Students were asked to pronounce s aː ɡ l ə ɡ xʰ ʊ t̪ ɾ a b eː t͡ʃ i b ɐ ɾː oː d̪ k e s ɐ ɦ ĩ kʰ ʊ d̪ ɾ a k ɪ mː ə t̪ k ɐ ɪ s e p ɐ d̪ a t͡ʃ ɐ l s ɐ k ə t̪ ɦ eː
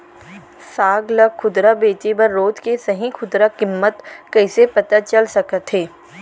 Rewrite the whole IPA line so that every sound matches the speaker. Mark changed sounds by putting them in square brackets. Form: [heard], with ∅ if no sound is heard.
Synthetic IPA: s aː ɡ l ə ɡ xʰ ʊ [d̪] ɾ a b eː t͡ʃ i b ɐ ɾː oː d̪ k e s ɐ ɦ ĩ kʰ ʊ d̪ ɾ a k ɪ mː ə t̪ k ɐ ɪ s e p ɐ [t̪] a t͡ʃ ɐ l s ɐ k ə t̪ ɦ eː